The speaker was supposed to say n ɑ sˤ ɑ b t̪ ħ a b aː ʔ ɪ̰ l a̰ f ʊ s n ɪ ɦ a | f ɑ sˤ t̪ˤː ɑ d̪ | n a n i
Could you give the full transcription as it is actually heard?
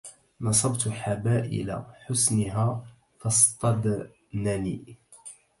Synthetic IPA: n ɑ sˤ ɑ b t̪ ħ a b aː ʔ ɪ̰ l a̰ ħ ʊ s n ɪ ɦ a | f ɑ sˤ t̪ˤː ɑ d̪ | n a n i